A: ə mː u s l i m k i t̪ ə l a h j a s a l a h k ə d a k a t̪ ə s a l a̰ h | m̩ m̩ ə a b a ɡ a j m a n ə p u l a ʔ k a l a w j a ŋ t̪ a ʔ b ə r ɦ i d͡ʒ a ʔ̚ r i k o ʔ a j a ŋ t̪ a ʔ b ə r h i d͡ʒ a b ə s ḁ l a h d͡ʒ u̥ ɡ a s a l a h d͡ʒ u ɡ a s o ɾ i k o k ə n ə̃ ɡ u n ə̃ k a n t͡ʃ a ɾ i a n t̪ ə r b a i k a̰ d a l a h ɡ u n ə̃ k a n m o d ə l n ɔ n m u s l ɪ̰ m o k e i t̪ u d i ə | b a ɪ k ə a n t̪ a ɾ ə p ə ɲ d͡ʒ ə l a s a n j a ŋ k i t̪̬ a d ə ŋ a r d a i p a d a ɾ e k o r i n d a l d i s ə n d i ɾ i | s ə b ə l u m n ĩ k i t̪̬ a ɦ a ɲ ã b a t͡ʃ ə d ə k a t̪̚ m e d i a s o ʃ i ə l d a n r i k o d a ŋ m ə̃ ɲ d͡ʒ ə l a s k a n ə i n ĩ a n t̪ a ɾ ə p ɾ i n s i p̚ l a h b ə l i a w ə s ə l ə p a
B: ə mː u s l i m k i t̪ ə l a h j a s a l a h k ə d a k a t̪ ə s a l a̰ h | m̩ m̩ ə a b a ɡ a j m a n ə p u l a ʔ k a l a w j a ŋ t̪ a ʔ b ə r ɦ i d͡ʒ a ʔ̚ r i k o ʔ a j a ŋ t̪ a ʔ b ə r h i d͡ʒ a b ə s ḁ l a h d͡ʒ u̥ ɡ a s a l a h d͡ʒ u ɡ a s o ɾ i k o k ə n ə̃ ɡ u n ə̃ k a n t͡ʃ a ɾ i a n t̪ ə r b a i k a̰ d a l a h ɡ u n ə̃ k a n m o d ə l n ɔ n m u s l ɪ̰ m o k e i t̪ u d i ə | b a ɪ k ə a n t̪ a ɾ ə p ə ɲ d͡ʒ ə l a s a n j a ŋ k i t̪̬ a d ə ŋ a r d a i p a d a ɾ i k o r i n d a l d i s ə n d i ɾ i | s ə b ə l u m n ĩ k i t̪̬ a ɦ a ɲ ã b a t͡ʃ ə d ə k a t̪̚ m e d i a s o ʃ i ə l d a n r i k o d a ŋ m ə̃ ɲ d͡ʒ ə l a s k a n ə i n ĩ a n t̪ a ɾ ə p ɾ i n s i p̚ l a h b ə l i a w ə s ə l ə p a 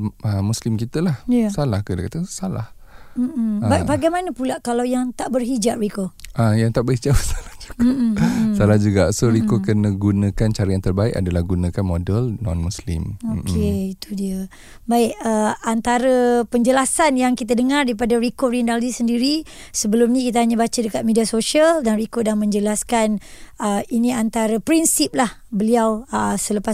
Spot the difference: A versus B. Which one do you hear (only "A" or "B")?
B